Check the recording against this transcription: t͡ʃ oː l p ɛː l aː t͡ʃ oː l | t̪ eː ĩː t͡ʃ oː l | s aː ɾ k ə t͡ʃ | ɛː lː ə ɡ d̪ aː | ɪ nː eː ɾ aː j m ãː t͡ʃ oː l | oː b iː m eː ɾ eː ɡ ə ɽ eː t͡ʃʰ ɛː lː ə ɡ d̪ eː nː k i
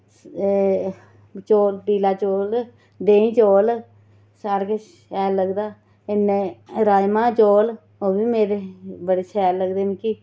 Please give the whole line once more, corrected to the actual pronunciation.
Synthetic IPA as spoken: t͡ʃ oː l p iː l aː t͡ʃ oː l | d̪ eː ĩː t͡ʃ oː l | s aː ɾ k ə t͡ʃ | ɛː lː ə ɡ d̪ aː | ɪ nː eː ɾ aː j m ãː t͡ʃ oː l | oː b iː m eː ɾ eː b ə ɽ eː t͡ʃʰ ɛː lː ə ɡ d̪ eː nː k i

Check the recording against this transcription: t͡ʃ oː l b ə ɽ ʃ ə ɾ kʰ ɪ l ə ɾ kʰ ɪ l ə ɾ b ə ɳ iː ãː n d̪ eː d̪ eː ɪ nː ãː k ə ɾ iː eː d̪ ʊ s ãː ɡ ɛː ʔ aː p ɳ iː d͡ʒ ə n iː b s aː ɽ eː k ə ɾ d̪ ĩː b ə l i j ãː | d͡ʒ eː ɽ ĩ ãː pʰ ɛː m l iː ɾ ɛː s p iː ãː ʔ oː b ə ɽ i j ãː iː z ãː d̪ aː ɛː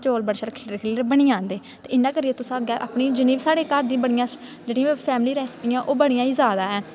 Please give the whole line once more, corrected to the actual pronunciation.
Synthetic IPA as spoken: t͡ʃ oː l b ə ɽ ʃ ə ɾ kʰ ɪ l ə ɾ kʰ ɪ l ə ɾ b ə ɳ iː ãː n d̪ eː t̪ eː ɪ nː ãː k ə ɾ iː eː t̪ ʊ s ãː ɡ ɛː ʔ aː p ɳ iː d͡ʒ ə n iː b s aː ɽ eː k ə ɾ d̪ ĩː b ə ɽ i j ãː | d͡ʒ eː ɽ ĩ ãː pʰ ɛː m l iː ɾ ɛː s p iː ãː ʔ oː b ə ɽ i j ãː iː z aː d̪ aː ɛː

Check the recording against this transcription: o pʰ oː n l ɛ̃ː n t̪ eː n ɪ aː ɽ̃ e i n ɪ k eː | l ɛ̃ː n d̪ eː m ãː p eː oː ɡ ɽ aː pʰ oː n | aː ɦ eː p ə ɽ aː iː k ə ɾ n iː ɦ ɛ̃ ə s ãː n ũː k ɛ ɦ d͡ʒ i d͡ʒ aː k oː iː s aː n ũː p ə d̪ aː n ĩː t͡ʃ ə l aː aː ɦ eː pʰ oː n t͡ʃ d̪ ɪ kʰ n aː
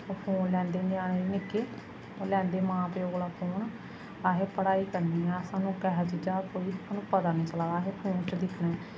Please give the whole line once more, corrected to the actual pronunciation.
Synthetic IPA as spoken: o pʰ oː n l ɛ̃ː n d̪ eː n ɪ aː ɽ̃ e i n ɪ k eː | l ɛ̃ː n d̪ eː m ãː p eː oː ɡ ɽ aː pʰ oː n | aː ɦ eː p ə ɽ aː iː k ə ɾ n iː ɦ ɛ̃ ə s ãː n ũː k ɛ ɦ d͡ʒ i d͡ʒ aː k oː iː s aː n ũː p ə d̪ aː n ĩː t͡ʃ ə l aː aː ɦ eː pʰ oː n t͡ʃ d̪ ɪ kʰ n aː

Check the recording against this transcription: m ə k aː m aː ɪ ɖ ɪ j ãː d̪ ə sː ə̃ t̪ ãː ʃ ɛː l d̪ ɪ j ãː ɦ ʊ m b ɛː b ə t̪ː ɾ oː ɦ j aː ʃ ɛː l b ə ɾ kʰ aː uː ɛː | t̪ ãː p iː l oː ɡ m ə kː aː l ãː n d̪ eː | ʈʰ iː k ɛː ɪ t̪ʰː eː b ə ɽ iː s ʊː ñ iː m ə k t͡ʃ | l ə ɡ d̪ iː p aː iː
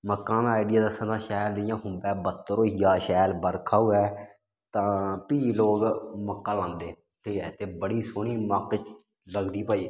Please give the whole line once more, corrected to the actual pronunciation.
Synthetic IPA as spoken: m ə k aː m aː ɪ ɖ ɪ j aː d̪ ə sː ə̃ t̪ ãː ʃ ɛː l d̪ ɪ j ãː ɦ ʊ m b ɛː b ə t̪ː ɾ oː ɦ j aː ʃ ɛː l b ə ɾ kʰ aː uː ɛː | t̪ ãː p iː l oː ɡ m ə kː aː l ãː n d̪ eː | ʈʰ iː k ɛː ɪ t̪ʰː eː b ə ɽ iː s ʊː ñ iː m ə k t͡ʃ | l ə ɡ d̪ iː p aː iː

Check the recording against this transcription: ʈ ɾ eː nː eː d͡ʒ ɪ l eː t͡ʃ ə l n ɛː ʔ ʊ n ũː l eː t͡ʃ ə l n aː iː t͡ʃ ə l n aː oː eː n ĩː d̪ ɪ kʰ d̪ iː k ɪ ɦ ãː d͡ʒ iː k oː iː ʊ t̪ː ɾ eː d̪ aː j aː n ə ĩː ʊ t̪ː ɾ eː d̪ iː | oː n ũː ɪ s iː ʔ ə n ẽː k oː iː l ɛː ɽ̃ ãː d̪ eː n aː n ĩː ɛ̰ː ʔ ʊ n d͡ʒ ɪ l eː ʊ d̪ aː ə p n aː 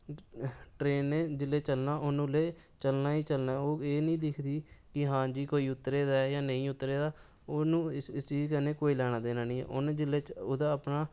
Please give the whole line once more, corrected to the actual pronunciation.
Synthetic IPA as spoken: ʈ ɾ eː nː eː d͡ʒ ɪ l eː t͡ʃ ə l n aː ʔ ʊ n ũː l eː t͡ʃ ə l n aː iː t͡ʃ ə l n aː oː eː n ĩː d̪ ɪ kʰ d̪ iː k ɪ ɦ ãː d͡ʒ iː k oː iː ʊ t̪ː ɾ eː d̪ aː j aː n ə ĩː ʊ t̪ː ɾ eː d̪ aː | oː n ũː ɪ s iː k ə n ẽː k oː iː l ɛː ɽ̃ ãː d̪ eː n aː n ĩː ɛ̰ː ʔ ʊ n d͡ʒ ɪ l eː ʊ d̪ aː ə p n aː

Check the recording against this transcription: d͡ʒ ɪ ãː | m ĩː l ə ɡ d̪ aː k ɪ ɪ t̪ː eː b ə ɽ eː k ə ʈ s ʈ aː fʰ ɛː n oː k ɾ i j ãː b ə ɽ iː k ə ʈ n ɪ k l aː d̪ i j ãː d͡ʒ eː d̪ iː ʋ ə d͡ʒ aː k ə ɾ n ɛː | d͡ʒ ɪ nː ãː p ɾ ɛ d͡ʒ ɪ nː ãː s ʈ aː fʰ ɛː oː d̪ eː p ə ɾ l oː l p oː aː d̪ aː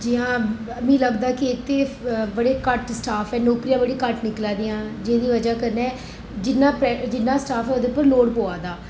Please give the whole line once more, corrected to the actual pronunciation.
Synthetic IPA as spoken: d͡ʒ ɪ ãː | m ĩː l ə ɡ d̪ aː k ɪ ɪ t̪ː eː b ə ɽ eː k ə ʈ s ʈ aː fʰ ɛː n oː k ɾ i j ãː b ə ɽ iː k ə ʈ n ɪ k l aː d̪ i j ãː d͡ʒ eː d̪ iː ʋ ə d͡ʒ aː k ə ɾ n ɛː | d͡ʒ ɪ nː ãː p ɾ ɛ d͡ʒ ɪ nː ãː s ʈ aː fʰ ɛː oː d̪ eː p ə ɾ l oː ɽ p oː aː d̪ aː

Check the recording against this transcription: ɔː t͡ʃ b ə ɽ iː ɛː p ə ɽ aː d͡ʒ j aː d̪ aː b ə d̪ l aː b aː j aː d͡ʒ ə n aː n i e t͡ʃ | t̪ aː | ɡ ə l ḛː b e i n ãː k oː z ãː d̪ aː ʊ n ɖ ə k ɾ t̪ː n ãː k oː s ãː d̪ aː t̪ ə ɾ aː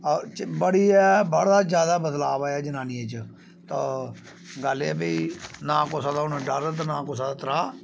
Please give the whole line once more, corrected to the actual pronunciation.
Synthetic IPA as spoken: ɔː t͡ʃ b ə ɽ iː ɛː b ə ɽ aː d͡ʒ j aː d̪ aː b ə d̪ l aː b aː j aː d͡ʒ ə n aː n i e t͡ʃ | t̪ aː | ɡ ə l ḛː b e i n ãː k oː s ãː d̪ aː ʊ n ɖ ə ɾ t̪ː n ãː k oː s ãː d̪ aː t̪ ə ɾ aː

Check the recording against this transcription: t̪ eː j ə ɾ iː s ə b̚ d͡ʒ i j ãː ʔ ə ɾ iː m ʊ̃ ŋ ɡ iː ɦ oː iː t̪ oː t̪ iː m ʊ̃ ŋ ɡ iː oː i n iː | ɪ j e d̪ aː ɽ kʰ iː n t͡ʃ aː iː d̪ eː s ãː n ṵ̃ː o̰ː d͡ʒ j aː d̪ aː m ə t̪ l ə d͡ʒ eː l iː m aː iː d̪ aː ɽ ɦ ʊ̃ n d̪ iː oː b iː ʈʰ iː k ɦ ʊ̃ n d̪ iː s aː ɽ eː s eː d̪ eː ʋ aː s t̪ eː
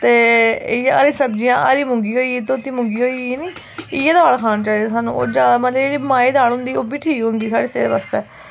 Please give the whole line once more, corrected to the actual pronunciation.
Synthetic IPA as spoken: t̪ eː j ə ɾ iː s ə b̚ d͡ʒ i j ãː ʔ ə ɾ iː m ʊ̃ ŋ ɡ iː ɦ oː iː t̪ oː t̪ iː m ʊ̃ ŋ ɡ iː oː i n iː | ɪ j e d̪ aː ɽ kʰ aː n t͡ʃ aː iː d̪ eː s aː n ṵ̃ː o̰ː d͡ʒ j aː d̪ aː m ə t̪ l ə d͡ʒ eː ɽ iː m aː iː d̪ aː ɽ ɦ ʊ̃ n d̪ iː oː b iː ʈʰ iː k ɦ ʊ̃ n d̪ iː s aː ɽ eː s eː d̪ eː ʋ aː s t̪ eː

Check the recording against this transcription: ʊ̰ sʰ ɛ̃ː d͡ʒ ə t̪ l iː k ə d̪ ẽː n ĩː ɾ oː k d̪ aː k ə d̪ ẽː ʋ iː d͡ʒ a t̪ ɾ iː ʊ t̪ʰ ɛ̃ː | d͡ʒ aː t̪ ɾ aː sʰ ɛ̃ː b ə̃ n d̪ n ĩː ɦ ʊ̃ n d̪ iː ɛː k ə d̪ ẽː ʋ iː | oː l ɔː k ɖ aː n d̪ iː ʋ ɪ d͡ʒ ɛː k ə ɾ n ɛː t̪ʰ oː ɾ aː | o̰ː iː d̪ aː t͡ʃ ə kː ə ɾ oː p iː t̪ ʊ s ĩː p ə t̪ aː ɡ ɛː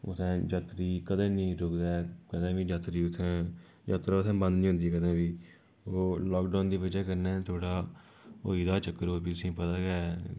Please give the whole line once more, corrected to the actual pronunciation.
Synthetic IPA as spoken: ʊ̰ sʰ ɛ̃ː d͡ʒ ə t̪ ɾ iː k ə d̪ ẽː n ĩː ɾ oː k d̪ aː k ə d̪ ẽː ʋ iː d͡ʒ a t̪ ɾ iː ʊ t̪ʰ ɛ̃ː | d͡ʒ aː t̪ ɾ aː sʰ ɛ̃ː b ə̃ n d̪ n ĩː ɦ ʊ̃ n d̪ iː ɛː k ə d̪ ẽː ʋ iː | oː l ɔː k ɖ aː n d̪ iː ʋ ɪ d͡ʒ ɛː k ə ɾ n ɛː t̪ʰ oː ɽ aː | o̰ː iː d̪ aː t͡ʃ ə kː ə ɾ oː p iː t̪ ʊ s ĩː p ə t̪ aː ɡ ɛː

